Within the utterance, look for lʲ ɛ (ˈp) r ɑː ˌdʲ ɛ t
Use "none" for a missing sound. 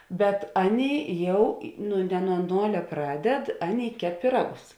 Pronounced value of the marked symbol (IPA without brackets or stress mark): p